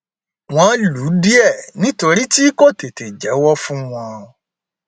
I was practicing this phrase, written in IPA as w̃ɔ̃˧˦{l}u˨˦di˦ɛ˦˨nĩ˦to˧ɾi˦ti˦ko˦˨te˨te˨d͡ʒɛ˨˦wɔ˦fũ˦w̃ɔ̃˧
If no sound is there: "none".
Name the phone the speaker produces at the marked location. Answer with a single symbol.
l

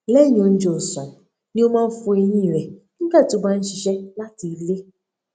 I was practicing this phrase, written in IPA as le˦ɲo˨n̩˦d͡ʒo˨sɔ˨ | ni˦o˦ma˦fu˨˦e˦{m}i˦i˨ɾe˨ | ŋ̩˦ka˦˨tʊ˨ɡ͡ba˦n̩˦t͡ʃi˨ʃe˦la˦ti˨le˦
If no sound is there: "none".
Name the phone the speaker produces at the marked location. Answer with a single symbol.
ɲ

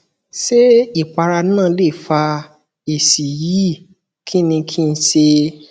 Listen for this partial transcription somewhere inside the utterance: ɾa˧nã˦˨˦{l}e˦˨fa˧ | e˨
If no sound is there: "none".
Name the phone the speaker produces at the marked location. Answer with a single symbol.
l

